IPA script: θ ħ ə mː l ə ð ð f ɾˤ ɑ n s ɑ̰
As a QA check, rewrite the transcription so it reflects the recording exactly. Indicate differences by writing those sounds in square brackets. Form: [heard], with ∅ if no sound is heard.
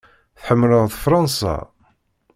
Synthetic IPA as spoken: θ ħ ə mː l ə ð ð f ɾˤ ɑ n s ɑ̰